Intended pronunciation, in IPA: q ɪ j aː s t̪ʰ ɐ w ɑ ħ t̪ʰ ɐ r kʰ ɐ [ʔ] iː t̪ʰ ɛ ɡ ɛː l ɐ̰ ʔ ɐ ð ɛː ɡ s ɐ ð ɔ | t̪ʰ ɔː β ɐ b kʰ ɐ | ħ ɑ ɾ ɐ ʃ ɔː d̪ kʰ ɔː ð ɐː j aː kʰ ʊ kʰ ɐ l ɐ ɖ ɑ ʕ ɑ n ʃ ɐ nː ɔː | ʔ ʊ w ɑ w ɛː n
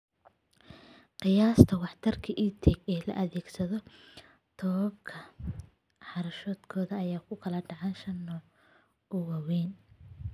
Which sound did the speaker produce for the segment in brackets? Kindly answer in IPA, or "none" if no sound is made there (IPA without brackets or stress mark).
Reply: ʔ